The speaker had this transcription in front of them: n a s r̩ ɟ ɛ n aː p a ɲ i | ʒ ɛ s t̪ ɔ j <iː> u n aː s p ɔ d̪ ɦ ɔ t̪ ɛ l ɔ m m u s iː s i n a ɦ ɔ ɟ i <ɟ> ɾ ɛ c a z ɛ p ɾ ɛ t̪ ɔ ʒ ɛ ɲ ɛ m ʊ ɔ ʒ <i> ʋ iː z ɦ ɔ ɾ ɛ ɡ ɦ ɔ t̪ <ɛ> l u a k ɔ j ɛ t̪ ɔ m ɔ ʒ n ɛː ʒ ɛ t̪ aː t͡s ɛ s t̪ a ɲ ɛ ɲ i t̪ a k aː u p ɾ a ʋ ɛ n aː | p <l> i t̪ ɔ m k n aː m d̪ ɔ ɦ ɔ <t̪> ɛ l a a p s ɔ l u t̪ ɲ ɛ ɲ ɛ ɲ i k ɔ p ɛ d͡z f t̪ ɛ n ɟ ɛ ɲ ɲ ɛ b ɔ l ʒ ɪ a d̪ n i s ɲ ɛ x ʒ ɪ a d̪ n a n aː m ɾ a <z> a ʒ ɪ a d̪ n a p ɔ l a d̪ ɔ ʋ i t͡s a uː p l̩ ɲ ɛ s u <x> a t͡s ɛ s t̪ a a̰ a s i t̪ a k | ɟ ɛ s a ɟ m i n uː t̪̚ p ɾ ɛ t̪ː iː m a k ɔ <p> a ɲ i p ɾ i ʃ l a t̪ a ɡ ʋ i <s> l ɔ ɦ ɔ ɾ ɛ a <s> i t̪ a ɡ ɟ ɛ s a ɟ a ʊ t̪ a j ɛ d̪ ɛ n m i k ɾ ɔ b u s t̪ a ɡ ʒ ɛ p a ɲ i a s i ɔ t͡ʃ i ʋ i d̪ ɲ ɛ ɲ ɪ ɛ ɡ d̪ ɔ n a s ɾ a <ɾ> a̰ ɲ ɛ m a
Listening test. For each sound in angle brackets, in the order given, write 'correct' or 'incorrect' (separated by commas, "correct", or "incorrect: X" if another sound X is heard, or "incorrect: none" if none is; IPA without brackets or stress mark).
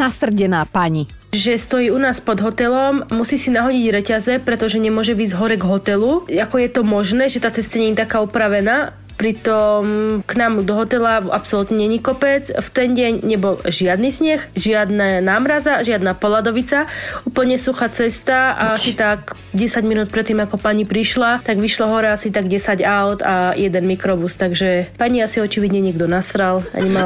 correct, correct, incorrect: ɛ, correct, incorrect: ɾ, correct, correct, correct, correct, incorrect: ʃ, correct, incorrect: l